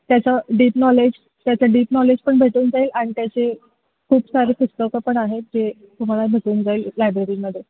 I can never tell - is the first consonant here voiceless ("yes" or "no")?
yes